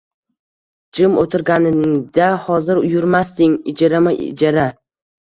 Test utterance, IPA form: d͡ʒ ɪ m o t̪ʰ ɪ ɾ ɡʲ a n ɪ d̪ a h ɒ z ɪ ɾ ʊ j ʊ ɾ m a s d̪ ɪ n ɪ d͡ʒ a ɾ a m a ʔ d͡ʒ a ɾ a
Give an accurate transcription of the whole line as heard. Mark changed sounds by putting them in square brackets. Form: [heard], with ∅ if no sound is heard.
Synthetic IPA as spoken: d͡ʒ ɪ m o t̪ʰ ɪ ɾ ɡʲ a n ɪ d̪ a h ɒ z ɪ ɾ ʊ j ʊ ɾ m a s [t̪] ɪ [ŋ] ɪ d͡ʒ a ɾ a m a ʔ d͡ʒ a ɾ a